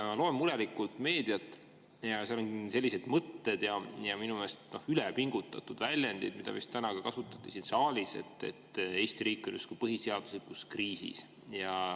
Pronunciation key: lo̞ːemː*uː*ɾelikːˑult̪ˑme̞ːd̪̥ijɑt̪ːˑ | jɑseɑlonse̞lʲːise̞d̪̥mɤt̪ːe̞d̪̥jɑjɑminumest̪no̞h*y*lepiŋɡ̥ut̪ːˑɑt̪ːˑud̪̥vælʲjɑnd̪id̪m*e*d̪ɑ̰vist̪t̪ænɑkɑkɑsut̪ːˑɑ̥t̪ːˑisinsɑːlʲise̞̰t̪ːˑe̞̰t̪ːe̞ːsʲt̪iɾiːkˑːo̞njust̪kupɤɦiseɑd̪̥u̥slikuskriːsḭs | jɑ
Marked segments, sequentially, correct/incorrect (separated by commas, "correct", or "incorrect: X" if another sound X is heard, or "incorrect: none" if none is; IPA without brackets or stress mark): incorrect: u, correct, incorrect: i